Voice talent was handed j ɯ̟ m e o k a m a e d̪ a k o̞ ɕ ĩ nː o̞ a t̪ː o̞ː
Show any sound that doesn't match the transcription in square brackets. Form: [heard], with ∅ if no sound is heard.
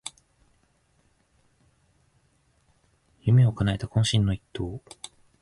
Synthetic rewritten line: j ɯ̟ m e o k a [n] a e [t̪] a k [õ̞] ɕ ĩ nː o̞ [i] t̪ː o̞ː

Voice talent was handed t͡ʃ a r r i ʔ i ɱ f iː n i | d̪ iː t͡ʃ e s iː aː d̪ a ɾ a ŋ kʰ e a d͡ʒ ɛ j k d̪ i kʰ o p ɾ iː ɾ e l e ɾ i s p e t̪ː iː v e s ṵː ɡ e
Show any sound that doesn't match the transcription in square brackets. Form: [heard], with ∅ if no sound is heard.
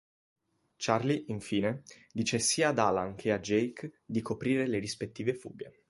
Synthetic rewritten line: t͡ʃ a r [l] i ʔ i ɱ f iː n [e] | d̪ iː t͡ʃ e s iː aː d̪ a [l] a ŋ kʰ e a d͡ʒ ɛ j k d̪ i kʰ o p ɾ iː ɾ e l e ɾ i s p e t̪ː iː v e [f] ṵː ɡ e

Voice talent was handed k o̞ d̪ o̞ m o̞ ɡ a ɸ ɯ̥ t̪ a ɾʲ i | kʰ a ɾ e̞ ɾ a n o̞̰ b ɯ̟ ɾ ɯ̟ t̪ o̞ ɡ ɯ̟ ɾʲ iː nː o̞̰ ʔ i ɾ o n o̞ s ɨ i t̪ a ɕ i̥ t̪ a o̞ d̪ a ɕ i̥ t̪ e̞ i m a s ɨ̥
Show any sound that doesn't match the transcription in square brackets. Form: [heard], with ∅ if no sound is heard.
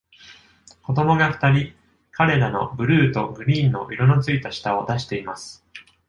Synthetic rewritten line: k o̞ d̪ o̞ m o̞ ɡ a ɸ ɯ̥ t̪ a ɾʲ i | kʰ a ɾ e̞ ɾ a n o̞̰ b ɯ̟ ɾ [ɯ̟ː] t̪ o̞ ɡ ɯ̟ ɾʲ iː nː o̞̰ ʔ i ɾ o n o̞ [t͡s] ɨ i t̪ a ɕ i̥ t̪ a o̞ d̪ a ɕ i̥ t̪ e̞ i m a s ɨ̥

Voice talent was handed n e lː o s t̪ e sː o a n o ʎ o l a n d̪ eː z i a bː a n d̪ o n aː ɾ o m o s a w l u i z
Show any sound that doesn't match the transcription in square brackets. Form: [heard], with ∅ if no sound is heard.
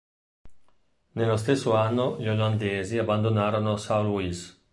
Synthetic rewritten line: n e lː o s t̪ e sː o a [nː] o ʎ o l a n d̪ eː z i a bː a n d̪ o n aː ɾ o [n] o s a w l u i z

